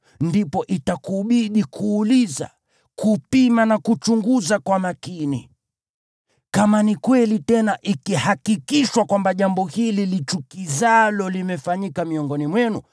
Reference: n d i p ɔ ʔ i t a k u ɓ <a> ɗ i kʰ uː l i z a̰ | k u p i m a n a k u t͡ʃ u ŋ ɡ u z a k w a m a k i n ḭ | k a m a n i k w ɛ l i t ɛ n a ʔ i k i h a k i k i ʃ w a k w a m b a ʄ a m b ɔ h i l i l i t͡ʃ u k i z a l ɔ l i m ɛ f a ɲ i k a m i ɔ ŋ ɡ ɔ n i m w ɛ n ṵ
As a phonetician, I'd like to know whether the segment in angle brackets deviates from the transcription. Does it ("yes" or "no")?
yes